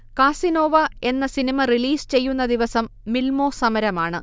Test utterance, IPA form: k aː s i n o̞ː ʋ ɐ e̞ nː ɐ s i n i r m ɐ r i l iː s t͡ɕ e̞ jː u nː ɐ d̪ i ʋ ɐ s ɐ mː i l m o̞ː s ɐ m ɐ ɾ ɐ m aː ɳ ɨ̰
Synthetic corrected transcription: k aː s i n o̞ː ʋ ɐ e̞ nː ɐ s i n i m ɐ r i l iː s t͡ɕ e̞ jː u nː ɐ d̪ i ʋ ɐ s ɐ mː i l m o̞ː s ɐ m ɐ ɾ ɐ m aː ɳ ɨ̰